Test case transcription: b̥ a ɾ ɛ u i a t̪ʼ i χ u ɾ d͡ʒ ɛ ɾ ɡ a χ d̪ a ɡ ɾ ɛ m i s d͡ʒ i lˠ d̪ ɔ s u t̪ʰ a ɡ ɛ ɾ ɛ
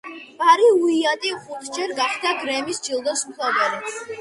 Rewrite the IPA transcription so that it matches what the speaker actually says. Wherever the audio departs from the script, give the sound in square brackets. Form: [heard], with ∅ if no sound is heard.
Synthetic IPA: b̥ a ɾ [i] u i a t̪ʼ i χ u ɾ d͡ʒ ɛ ɾ ɡ a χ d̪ a ɡ ɾ ɛ m i s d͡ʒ i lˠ d̪ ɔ s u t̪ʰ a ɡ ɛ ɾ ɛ